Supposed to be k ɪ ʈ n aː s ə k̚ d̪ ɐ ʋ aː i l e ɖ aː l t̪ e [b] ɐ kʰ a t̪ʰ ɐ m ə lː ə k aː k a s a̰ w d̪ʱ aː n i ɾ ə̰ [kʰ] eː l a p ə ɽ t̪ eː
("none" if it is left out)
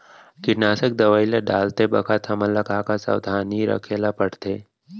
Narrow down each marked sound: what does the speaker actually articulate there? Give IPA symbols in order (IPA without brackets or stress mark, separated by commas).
b, kʰ